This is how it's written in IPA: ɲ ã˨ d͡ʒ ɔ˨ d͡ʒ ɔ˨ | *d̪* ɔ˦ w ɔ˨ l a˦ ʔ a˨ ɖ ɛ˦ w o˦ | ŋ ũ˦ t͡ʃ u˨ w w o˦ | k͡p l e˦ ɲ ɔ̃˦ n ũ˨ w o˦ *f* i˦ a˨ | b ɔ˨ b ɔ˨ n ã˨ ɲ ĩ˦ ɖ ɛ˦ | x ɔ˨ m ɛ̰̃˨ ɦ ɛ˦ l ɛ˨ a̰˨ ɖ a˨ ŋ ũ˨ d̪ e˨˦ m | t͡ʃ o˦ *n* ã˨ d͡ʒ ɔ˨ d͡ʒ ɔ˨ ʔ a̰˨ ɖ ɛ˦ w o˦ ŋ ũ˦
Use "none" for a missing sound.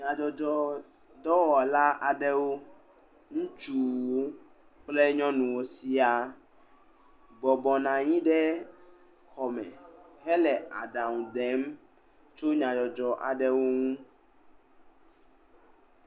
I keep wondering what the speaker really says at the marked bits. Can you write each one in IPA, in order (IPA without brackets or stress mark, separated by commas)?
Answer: d̪, s, ɲ